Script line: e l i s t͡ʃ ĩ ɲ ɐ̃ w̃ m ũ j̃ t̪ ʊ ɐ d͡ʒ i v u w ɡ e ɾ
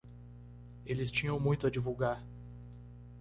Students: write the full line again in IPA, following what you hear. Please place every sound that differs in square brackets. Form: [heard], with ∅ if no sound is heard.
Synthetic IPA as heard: e l [ɪ] s t͡ʃ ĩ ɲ ɐ̃ w̃ m ũ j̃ t̪ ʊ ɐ d͡ʒ i v u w ɡ [a] ɾ